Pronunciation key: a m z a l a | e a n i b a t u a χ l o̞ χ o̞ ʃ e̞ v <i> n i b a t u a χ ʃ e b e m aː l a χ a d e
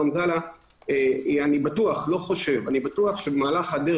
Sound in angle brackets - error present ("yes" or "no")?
yes